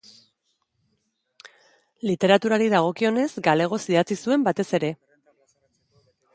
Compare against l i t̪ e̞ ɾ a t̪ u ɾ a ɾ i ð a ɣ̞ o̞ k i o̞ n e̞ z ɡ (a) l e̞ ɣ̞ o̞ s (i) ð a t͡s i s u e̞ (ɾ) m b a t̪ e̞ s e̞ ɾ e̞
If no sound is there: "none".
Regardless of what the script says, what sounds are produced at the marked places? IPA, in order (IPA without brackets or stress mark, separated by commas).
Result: a, i, none